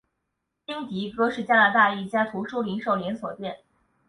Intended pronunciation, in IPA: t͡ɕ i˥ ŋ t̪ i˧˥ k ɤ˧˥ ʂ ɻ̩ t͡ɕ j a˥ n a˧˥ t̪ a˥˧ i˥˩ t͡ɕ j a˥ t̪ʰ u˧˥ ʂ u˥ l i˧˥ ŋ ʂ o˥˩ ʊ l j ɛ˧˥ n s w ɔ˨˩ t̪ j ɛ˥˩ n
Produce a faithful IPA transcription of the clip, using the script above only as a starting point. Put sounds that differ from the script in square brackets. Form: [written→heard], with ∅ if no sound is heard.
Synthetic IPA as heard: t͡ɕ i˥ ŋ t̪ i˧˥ k [ɤ˧˥→ɤ˥] ʂ ɻ̩ t͡ɕ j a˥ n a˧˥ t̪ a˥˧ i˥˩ t͡ɕ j a˥ t̪ʰ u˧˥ ʂ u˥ l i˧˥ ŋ ʂ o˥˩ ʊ l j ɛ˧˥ n s w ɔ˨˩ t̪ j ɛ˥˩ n